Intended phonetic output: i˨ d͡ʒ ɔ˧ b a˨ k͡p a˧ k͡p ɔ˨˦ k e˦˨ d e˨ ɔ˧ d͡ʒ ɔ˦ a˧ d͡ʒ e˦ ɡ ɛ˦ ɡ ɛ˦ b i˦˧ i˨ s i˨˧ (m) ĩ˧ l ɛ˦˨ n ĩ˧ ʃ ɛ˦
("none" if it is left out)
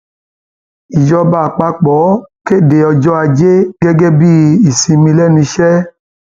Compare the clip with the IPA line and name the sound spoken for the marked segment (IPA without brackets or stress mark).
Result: m